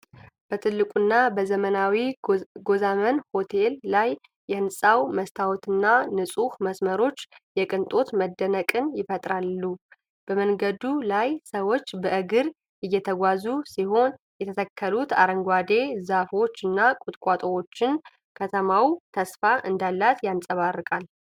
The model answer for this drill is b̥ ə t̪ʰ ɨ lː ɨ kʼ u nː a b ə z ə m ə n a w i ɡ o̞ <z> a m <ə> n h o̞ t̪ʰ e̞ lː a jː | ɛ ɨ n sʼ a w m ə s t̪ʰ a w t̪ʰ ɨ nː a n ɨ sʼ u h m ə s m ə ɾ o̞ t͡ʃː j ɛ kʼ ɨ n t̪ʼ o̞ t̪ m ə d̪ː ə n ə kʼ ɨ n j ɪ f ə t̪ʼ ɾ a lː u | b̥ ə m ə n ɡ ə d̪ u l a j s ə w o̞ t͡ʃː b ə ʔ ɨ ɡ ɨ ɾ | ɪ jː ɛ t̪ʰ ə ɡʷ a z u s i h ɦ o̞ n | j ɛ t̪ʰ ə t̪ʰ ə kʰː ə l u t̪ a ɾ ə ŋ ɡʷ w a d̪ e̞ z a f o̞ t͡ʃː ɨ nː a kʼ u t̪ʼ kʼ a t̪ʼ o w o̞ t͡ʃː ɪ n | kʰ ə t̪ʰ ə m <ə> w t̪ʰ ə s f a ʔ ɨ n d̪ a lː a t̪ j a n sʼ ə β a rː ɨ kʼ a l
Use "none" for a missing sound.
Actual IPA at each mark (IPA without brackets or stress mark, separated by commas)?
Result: z, ə, a